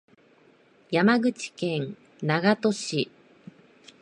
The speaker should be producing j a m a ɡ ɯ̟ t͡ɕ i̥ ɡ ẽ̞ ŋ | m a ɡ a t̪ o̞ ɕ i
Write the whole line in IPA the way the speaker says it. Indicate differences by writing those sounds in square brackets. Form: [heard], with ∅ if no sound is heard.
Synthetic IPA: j a m a ɡ ɯ̟ t͡ɕ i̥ [k] ẽ̞ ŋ | [n] a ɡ a t̪ o̞ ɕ i